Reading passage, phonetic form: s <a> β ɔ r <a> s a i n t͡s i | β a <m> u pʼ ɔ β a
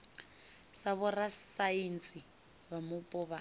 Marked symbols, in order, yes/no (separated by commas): yes, yes, yes